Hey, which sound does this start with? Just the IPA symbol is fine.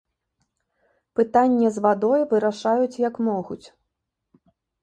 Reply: p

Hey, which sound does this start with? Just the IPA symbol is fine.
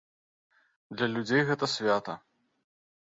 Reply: d̪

